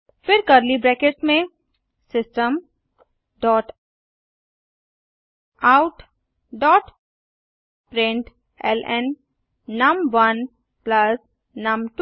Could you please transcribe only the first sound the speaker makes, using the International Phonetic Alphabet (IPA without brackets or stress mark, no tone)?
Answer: f